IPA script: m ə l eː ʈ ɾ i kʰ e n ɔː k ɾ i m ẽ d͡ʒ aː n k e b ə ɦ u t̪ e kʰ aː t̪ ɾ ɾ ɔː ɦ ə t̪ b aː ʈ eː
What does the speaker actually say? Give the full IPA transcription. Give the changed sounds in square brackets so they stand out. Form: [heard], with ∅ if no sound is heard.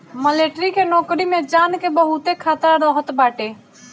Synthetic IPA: m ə l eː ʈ ɾ i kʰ e n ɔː k ɾ i m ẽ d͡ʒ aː n k e b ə ɦ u t̪ e kʰ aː t̪ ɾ ɾ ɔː ɦ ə t̪ b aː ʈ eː